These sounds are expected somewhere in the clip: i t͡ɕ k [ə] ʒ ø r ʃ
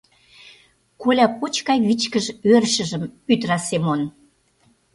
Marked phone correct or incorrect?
correct